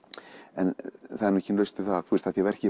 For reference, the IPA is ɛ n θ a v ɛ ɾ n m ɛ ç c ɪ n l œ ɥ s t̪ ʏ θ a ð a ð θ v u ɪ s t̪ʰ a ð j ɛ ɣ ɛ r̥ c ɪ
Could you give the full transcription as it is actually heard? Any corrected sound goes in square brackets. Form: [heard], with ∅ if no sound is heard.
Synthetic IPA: ɛ n θ a [ð] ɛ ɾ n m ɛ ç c ɪ n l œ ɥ s t̪ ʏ θ a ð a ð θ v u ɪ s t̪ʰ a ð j ɛ [v] ɛ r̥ c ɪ